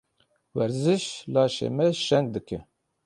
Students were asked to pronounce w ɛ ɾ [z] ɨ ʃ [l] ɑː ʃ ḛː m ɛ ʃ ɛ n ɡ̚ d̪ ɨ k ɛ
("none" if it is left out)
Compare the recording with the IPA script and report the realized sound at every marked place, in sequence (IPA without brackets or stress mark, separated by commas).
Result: z, l